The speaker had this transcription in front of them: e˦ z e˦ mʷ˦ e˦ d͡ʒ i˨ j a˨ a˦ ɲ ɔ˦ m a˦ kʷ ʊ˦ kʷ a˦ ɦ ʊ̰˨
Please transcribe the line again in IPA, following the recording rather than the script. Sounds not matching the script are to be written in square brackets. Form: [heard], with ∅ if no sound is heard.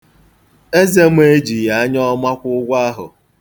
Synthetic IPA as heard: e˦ z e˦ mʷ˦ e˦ d͡ʒ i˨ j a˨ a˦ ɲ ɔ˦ m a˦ kʷ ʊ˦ [ɡʷ] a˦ ɦ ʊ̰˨